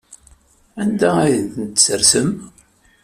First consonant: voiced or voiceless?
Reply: voiced